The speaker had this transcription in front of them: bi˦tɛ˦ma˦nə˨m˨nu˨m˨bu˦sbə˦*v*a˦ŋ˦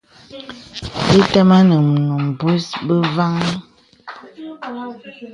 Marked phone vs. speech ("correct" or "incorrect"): correct